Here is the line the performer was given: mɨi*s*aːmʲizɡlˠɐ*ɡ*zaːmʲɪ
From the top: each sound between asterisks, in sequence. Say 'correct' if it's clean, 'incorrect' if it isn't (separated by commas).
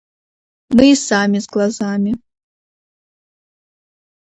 correct, incorrect